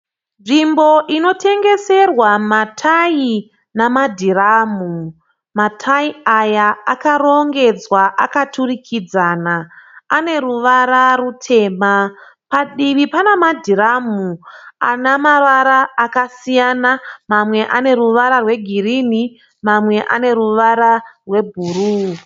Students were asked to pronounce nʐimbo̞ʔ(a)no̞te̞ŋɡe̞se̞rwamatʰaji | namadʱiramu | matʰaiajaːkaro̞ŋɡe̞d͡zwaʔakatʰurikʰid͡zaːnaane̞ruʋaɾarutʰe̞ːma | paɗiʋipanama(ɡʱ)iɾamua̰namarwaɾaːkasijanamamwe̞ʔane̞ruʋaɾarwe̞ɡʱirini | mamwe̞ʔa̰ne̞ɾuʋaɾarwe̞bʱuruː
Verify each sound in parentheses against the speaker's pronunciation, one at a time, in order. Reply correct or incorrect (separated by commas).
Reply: incorrect, incorrect